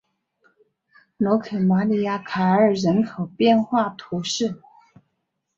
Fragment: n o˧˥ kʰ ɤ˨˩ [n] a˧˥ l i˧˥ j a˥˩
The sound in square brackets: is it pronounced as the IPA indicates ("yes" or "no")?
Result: no